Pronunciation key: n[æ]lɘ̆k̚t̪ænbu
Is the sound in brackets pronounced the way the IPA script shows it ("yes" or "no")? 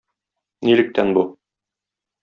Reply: no